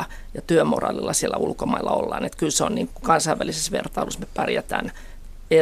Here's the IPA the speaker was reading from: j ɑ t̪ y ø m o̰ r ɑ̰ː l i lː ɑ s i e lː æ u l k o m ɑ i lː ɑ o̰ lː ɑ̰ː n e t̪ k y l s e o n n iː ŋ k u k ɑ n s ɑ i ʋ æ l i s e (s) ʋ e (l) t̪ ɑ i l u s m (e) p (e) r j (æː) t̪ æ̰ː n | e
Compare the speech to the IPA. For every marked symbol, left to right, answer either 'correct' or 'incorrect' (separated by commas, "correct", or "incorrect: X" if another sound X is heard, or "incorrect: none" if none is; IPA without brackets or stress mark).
correct, incorrect: r, correct, incorrect: æ, incorrect: æ